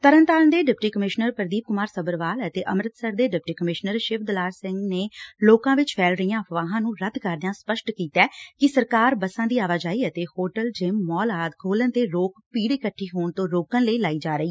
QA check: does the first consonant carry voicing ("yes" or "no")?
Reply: no